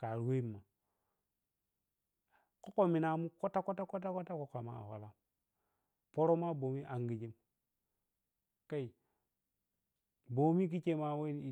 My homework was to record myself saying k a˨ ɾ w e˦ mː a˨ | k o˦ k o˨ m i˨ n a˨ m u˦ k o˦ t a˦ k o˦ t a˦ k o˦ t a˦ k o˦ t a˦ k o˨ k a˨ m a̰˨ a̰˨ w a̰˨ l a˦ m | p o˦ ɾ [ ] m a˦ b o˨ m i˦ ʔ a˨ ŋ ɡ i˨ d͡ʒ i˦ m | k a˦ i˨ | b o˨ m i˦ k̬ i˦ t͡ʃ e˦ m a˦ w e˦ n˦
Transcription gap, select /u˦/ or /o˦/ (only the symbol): o˦